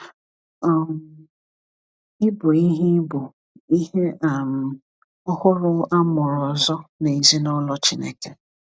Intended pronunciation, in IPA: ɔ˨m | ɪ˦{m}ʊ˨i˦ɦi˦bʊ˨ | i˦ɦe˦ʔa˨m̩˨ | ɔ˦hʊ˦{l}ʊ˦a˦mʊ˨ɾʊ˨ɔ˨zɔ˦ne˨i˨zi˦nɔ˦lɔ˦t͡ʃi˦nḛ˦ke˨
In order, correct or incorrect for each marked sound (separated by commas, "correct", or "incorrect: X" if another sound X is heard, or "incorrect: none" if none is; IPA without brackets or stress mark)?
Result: incorrect: b, incorrect: ɾ